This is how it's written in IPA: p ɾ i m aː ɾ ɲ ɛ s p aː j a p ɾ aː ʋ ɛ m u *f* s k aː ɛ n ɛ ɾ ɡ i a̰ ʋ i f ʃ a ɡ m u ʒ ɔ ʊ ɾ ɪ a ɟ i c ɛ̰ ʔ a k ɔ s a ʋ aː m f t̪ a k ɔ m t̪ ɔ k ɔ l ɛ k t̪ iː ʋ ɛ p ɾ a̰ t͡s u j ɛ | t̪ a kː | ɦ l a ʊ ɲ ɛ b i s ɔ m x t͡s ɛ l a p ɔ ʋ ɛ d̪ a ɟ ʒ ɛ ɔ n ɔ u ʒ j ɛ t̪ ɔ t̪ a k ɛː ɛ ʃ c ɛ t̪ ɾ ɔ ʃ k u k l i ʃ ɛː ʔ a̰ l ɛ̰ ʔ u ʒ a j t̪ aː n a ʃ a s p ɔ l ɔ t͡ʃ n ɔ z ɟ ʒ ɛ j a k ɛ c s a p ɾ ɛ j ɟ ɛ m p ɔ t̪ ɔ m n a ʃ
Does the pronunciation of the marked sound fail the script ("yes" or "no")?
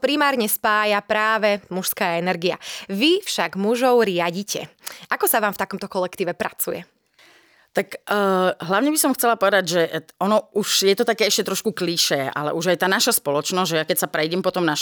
yes